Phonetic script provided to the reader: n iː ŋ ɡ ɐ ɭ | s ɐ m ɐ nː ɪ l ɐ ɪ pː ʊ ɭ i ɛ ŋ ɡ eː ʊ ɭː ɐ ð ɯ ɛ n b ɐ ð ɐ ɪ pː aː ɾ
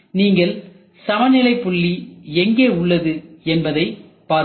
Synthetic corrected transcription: n iː ŋ ɡ ɐ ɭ | s ɐ m ɐ n ɪ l ɐ ɪ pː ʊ ɭː i ɛ ŋ ɡ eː ʊ ɭː ɐ ð ɯ ɛ n b ɐ ð ɐ ɪ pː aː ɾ